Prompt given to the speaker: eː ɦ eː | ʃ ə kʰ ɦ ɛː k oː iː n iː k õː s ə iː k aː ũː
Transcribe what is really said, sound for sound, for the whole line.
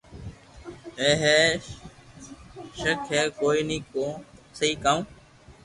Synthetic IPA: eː ɦ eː | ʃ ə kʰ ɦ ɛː k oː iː n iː k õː s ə iː k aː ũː